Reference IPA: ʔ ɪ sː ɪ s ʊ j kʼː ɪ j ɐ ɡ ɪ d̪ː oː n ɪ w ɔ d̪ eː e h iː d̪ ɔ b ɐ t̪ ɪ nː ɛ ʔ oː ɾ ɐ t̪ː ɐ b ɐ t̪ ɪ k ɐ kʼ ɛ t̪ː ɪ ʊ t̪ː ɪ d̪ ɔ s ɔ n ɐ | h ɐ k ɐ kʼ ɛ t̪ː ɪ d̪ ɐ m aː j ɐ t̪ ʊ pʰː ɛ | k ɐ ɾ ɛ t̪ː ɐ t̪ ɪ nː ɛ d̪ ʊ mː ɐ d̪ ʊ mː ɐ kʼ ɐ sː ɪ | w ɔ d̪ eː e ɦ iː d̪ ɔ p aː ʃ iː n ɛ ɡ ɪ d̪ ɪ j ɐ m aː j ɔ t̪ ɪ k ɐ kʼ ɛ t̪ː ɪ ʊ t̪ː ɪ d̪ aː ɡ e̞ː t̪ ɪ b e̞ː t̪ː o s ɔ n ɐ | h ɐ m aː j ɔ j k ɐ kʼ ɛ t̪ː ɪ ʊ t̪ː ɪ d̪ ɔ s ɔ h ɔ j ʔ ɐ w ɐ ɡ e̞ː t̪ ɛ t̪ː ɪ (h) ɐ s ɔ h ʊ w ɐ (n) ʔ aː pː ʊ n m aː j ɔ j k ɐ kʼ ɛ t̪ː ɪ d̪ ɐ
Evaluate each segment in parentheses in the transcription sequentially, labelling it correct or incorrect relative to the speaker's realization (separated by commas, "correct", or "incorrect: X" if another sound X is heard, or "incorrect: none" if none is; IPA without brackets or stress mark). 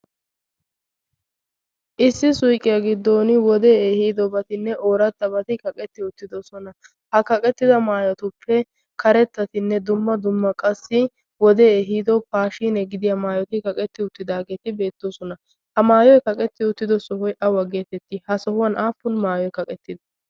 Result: correct, correct